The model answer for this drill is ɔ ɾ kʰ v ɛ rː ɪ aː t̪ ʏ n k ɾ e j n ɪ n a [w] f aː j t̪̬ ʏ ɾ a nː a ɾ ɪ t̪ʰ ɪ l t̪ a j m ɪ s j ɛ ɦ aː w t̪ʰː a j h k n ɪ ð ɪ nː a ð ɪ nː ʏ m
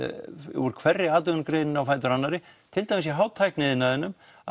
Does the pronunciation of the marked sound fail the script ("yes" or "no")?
no